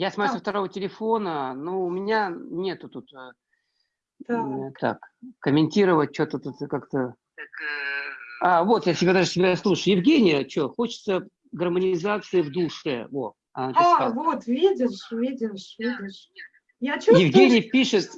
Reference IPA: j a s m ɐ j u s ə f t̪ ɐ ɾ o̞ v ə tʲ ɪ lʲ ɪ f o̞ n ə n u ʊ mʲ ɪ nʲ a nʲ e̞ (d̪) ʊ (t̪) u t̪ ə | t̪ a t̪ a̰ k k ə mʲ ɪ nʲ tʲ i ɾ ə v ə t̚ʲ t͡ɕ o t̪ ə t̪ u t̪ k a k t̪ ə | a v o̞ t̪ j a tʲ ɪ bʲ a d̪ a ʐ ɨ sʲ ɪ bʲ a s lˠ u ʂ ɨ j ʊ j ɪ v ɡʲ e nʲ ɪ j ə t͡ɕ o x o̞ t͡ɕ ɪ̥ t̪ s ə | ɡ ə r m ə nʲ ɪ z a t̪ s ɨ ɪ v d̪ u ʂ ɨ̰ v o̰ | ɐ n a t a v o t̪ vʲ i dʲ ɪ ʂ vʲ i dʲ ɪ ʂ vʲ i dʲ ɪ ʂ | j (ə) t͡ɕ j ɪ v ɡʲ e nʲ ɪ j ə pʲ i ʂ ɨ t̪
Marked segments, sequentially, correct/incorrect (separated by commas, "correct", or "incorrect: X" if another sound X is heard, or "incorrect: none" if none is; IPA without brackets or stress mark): incorrect: t̪, correct, incorrect: a